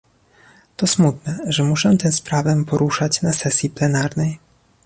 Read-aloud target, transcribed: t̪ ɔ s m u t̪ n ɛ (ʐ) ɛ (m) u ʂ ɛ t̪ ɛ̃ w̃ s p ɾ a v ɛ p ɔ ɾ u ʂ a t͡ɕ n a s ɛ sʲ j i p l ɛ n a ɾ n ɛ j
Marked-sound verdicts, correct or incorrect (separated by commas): correct, correct